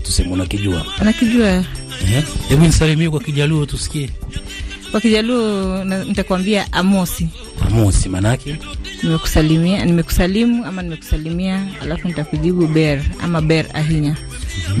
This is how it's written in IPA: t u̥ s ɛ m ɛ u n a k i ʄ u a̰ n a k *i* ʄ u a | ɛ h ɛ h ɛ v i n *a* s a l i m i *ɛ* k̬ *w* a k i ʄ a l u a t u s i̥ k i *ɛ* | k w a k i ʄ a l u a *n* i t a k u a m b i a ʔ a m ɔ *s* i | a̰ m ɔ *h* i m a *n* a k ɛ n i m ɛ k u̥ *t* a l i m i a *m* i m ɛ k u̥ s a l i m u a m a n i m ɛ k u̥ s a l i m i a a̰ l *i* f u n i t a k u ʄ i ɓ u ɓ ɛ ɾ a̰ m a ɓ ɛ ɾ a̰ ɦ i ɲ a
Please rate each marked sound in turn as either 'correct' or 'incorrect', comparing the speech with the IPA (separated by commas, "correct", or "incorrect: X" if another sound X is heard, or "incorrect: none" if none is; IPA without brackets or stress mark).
correct, incorrect: i, correct, correct, correct, correct, correct, incorrect: s, correct, incorrect: s, incorrect: n, incorrect: a